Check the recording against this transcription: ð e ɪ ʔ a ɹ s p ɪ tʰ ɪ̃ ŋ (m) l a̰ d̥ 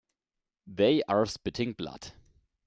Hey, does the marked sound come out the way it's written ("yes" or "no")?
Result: no